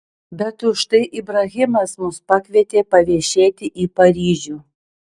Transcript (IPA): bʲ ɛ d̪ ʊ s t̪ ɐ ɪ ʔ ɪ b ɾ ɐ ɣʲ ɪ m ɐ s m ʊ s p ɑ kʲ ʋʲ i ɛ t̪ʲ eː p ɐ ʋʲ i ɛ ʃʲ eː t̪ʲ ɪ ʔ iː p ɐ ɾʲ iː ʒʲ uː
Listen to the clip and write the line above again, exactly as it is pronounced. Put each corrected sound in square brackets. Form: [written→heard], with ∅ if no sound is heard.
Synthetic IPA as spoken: bʲ ɛ [d̪→t̪] ʊ [s→ʃ] t̪ ɐ ɪ ʔ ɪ b ɾ ɐ ɣʲ ɪ m ɐ s m ʊ s p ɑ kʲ ʋʲ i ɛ t̪ʲ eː p ɐ ʋʲ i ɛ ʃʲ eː t̪ʲ ɪ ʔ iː p ɐ ɾʲ iː ʒʲ uː